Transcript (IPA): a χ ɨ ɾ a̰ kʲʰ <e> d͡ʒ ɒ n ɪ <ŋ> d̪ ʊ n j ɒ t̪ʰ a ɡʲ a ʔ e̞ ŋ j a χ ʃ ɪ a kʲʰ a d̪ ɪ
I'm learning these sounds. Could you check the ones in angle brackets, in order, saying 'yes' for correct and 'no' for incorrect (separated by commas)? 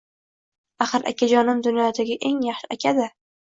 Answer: no, no